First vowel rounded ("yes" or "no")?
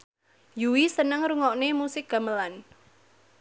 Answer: yes